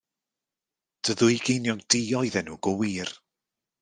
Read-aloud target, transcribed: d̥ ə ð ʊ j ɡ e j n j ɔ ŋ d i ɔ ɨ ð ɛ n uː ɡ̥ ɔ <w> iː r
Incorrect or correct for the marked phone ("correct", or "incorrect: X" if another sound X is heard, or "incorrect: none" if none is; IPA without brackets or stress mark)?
correct